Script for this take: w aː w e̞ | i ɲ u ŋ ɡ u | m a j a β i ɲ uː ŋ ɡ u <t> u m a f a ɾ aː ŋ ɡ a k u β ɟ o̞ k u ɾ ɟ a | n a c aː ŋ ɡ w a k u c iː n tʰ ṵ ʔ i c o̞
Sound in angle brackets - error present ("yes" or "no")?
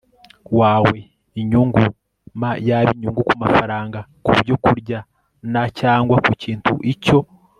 yes